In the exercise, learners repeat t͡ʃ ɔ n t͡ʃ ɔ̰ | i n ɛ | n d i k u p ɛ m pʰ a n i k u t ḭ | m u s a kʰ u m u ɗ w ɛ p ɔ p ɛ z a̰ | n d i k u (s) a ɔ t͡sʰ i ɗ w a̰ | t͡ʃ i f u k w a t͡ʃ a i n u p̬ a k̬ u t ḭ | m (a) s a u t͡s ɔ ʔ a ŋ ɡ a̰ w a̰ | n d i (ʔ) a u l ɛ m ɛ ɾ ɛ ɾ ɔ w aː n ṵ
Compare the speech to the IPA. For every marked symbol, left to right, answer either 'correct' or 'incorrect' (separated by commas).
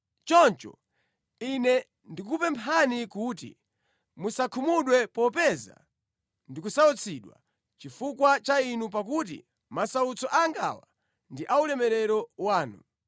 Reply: correct, correct, correct